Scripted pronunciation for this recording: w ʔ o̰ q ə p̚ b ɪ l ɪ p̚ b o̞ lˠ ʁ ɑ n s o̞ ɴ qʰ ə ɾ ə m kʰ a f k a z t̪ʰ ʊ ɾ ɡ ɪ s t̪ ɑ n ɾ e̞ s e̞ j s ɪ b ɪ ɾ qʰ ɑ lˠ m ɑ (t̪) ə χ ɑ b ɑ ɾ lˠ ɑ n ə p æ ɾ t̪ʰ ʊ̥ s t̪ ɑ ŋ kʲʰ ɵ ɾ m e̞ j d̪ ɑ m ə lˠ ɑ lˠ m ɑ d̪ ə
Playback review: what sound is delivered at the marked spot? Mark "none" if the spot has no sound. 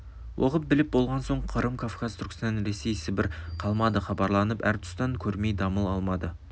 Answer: d̪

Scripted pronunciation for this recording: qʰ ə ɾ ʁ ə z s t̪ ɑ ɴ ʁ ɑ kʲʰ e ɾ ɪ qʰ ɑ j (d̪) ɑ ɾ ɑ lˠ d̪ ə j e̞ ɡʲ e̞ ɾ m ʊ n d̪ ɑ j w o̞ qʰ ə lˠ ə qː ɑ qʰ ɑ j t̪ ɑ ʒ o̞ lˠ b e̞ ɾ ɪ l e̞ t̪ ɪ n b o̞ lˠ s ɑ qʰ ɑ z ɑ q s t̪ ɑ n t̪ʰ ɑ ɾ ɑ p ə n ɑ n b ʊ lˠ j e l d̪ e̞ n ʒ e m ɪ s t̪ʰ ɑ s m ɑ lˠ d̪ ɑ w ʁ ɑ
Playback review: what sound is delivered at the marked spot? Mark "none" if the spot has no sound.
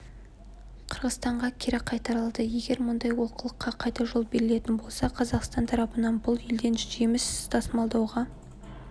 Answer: t̪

